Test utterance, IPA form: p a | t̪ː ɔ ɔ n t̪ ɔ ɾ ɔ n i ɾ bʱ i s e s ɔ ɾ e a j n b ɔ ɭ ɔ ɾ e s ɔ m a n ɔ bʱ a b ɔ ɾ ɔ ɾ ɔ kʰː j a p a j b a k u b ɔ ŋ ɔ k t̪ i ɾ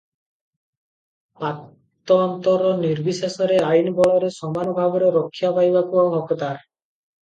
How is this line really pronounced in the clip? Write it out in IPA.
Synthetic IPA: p a | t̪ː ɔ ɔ n t̪ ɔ ɾ ɔ n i ɾ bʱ i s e s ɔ ɾ e a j n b ɔ ɭ ɔ ɾ e s ɔ m a n ɔ bʱ a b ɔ ɾ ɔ ɾ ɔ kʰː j a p a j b a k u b ɔ ŋ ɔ k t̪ a ɾ